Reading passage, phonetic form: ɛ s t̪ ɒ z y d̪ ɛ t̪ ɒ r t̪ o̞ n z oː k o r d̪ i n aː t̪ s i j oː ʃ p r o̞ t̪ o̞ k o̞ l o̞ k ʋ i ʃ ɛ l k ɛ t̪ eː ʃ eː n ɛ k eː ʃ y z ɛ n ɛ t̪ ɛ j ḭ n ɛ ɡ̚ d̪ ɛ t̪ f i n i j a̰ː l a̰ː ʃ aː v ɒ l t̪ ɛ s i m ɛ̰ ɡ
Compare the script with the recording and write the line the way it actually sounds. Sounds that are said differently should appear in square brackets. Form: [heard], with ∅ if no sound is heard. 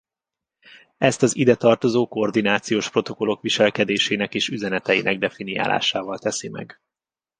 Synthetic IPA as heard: ɛ s t̪ ɒ z [i] d̪ ɛ t̪ ɒ r t̪ o̞ [∅] z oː k o r d̪ i n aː t̪ s i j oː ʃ p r o̞ t̪ o̞ k o̞ l o̞ k ʋ i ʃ ɛ l k ɛ [d̪] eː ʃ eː n ɛ k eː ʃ y z ɛ n ɛ t̪ ɛ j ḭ n ɛ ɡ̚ d̪ ɛ [∅] f i n i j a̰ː l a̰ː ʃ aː v ɒ l t̪ ɛ s i m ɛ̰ ɡ